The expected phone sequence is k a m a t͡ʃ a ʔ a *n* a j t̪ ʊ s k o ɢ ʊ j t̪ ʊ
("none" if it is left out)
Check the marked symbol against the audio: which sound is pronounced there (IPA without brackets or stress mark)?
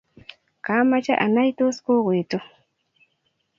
n